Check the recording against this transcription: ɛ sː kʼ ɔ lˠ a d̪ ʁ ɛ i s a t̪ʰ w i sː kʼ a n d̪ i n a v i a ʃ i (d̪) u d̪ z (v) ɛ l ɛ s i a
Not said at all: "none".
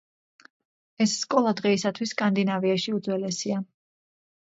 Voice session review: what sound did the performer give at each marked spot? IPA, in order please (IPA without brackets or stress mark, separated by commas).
none, w